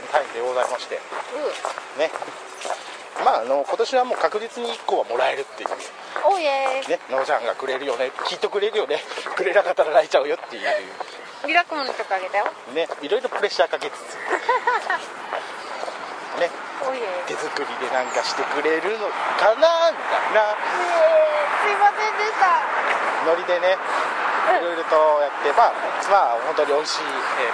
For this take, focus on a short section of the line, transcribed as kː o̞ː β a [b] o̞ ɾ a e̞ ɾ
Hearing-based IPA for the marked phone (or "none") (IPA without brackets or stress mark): m